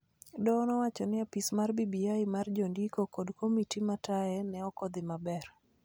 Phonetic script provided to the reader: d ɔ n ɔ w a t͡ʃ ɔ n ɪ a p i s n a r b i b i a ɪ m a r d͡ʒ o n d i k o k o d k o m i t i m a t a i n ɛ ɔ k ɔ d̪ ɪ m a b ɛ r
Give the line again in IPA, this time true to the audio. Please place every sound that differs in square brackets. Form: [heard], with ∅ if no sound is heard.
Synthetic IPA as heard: d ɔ n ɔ w a t͡ʃ ɔ n ɪ a p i s [m] a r b i b i a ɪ m a r d͡ʒ o n d i k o k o d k o m i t i m a t a [ɛ] n ɛ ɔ k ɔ d̪ ɪ m a b ɛ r